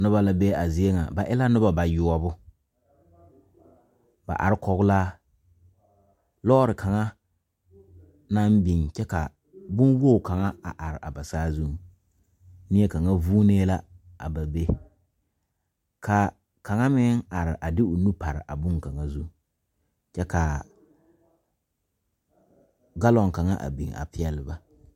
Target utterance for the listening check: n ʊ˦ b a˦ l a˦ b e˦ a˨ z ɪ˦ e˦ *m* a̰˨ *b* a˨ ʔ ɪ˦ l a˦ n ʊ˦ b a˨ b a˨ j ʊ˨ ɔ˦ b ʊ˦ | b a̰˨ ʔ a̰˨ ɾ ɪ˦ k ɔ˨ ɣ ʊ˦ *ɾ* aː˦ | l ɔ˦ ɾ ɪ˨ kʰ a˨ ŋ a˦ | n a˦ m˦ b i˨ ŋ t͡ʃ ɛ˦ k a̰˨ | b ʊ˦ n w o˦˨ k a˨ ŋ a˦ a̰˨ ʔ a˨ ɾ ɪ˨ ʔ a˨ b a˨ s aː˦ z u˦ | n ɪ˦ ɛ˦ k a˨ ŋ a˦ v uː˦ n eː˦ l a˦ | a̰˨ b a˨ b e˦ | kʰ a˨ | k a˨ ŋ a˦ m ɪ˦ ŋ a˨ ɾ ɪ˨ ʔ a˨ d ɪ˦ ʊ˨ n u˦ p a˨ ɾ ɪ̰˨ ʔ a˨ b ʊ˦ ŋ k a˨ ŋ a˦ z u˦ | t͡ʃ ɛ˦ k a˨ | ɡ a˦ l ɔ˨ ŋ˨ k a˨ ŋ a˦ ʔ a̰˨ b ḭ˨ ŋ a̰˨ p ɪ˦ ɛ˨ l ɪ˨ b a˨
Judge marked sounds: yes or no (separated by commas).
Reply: no, yes, no